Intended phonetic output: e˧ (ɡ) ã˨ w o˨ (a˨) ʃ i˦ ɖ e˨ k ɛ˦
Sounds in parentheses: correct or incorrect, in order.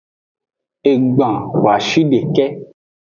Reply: incorrect, correct

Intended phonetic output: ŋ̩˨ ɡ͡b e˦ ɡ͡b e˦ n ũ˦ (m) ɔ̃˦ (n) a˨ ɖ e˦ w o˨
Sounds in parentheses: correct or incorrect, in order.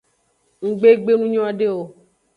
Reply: incorrect, incorrect

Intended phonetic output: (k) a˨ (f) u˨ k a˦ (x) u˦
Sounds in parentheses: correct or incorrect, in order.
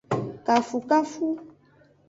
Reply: correct, correct, incorrect

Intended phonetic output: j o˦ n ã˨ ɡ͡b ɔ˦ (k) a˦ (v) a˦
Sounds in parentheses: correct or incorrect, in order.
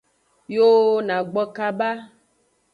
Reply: correct, incorrect

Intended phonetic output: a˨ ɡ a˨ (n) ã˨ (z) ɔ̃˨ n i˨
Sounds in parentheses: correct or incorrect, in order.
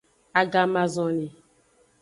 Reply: incorrect, correct

